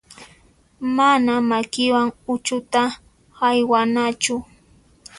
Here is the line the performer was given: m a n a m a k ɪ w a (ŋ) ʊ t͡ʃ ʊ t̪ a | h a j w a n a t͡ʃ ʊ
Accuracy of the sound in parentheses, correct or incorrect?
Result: correct